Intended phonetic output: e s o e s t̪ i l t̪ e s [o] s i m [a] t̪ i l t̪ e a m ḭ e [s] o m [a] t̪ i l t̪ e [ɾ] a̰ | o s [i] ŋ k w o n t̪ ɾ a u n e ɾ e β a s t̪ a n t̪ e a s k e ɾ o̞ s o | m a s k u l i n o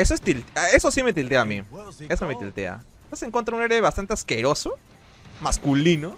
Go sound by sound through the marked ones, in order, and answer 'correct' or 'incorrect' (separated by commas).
correct, incorrect, correct, incorrect, incorrect, incorrect